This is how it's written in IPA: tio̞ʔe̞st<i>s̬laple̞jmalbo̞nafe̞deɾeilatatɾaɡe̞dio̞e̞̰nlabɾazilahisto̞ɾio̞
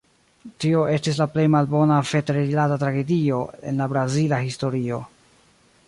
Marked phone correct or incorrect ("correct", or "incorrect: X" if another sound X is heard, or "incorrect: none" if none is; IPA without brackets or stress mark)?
correct